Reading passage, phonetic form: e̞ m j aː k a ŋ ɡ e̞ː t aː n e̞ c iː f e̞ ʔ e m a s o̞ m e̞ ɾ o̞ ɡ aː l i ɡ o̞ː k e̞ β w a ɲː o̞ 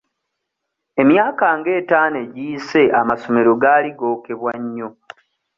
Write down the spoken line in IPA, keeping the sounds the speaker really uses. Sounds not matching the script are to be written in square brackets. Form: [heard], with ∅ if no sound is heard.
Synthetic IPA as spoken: e̞ m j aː k a ŋ ɡ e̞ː t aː n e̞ [ɟ] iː [s] e̞ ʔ [a] m a s o̞ m e̞ ɾ o̞ ɡ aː l i ɡ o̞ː k e̞ β w a ɲː o̞